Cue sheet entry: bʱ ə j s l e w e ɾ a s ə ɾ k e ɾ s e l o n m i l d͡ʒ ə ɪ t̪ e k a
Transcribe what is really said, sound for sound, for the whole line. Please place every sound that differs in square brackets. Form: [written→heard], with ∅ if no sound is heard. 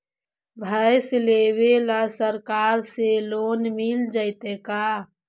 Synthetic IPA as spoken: bʱ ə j s l e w e [ɾ→l] a s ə ɾ k [e→a] ɾ s e l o n m i l d͡ʒ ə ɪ t̪ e k a